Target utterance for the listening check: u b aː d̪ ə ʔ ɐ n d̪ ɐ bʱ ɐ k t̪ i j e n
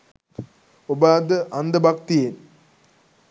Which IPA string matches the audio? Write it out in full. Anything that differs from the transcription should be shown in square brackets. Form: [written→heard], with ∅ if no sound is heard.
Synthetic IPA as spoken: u b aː d̪ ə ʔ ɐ n d̪ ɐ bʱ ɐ k t̪ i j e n

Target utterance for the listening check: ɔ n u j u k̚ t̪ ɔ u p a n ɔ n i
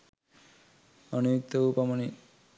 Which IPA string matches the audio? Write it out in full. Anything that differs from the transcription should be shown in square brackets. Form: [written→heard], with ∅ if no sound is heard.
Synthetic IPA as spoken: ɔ n u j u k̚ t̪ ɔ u p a [n→m] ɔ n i

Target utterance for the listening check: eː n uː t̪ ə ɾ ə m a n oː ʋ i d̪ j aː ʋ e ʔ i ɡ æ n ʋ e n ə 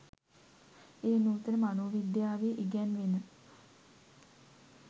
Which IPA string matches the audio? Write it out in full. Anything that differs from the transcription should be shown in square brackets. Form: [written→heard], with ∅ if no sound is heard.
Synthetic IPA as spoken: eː n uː t̪ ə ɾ ə m a n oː ʋ i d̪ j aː ʋ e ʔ i ɡ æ n ʋ e n ə

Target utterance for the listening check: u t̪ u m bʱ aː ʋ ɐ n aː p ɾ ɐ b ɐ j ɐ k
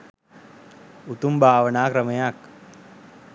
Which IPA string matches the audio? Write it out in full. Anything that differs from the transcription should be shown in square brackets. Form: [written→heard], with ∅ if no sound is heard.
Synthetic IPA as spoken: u t̪ u m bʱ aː ʋ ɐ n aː [p→k] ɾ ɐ [b→m] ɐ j [ɐ→a] k

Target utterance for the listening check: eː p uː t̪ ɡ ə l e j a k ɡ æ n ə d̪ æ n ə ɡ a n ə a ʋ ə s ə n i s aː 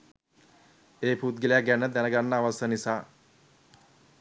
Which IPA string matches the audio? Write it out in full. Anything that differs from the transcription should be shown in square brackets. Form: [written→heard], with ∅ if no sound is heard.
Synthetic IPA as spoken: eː p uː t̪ ɡ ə l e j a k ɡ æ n ə d̪ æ n ə ɡ a [n→nː] ə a ʋ [ə→a] s ə n i s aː

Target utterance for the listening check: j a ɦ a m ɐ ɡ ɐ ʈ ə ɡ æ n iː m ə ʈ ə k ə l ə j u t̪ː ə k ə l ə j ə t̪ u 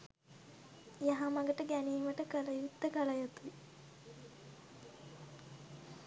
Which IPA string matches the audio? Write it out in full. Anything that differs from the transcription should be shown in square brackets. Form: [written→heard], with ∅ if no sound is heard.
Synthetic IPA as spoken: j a ɦ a m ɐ ɡ [ɐ→ə] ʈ ə ɡ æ n iː m ə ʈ ə k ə l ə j u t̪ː ə k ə l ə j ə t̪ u

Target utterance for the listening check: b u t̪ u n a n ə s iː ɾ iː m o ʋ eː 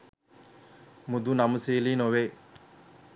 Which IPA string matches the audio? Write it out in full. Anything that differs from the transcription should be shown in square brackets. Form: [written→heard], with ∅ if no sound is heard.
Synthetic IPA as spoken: [b→m] u [t̪→d̪] u n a [n→m] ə s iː [ɾ→l] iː [m→n] o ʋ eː

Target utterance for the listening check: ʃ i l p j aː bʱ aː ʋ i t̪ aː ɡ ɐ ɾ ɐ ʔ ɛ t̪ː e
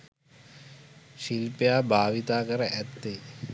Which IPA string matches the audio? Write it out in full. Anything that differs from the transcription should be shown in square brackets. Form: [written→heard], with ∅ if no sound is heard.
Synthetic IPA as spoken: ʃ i l p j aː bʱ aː ʋ i t̪ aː [ɡ→k] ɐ ɾ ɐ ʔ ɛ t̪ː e

